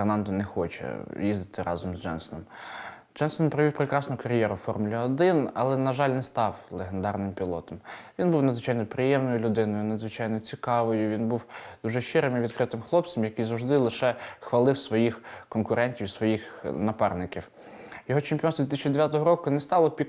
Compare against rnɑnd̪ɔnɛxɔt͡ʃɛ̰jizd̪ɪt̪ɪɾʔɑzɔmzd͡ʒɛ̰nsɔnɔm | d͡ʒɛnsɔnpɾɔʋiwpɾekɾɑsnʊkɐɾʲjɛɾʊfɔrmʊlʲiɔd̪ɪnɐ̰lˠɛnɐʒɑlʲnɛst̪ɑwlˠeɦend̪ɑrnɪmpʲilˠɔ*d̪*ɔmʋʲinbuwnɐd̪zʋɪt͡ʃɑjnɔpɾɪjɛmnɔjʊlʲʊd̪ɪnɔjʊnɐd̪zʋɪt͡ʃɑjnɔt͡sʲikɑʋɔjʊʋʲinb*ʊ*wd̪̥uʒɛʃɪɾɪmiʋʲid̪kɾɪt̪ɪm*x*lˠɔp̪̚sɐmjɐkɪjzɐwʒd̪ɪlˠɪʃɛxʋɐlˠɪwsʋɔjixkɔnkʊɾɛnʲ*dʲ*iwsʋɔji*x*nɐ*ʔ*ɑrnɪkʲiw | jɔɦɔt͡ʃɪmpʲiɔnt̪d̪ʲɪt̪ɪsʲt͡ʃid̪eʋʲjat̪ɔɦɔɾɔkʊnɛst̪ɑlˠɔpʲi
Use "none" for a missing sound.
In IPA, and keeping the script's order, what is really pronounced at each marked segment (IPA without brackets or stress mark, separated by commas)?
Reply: t̪, u, x, tʲ, x, p